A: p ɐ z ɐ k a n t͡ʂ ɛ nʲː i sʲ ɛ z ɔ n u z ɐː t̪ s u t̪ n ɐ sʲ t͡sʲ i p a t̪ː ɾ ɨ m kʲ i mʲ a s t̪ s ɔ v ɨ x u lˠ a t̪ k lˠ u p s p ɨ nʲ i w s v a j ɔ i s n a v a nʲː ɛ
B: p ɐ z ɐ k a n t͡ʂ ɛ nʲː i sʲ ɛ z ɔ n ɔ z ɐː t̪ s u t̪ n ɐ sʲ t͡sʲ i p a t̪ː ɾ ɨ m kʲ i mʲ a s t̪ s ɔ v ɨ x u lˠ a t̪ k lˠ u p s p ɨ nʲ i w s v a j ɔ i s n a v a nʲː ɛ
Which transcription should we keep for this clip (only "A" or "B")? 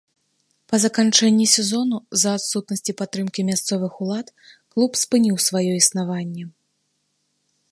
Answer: A